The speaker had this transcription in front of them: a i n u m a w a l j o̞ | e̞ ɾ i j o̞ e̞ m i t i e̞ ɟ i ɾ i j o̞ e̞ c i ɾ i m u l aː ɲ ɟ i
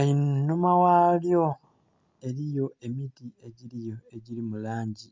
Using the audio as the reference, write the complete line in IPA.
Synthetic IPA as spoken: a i n u m a w a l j o̞ | e̞ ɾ i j o̞ e̞ m i t i e̞ ɟ i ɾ i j o̞ e̞ ɟ i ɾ i m u l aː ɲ ɟ i